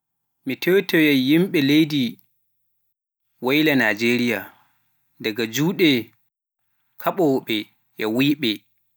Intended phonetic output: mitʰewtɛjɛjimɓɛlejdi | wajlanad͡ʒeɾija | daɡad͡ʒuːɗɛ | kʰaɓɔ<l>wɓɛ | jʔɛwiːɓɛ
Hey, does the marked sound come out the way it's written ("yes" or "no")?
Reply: no